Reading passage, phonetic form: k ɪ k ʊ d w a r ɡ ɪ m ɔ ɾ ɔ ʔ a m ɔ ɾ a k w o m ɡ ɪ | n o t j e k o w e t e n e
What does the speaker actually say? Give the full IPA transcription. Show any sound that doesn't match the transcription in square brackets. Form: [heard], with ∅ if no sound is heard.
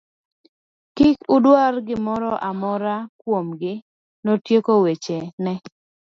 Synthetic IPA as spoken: k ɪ k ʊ d w a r ɡ ɪ m ɔ ɾ ɔ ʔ a m ɔ ɾ a k w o m ɡ ɪ | n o t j e k o w e [t͡ʃ] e n [ɛ]